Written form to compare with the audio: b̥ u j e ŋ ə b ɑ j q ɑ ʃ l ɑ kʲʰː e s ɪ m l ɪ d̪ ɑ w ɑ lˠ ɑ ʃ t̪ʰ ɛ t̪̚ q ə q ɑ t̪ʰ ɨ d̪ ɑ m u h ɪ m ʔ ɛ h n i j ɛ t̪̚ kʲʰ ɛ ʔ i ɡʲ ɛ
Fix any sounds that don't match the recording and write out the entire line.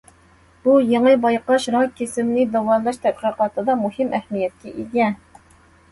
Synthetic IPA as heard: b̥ u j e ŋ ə b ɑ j q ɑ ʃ ɾ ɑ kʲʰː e s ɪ m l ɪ d̪ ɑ w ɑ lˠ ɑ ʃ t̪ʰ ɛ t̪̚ q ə q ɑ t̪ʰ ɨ d̪ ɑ m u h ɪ m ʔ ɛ h m i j ɛ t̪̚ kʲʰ ɛ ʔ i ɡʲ ɛ